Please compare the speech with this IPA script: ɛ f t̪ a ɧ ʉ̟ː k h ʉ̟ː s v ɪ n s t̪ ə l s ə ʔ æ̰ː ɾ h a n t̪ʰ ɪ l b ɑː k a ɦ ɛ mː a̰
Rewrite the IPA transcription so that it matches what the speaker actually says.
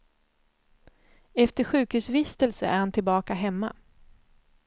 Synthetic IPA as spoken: ɛ f t̪ ə ɧ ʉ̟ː k h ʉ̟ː s v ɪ s t̪ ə l s ə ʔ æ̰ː ɾ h a n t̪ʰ ɪ l b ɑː k a ɦ ɛ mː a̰